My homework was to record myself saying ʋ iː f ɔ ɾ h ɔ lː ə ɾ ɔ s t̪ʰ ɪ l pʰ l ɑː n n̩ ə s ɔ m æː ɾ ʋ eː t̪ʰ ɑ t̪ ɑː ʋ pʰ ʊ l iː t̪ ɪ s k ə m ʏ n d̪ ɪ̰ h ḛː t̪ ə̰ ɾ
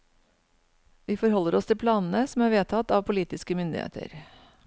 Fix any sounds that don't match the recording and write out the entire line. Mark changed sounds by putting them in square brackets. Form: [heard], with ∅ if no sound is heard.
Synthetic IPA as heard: ʋ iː f ɔ ɾ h ɔ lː ə ɾ ɔ s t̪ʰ ɪ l pʰ l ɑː n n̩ ə s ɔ m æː ɾ ʋ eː t̪ʰ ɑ t̪ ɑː ʋ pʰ ʊ l iː t̪ ɪ s k ə m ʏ n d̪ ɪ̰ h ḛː t̪ ə̰ ɾ